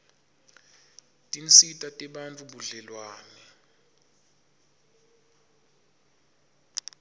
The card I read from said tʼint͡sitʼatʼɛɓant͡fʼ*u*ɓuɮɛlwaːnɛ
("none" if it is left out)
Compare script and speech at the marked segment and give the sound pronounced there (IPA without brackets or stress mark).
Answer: u